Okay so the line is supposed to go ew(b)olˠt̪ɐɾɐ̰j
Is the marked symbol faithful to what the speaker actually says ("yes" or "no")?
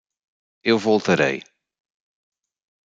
no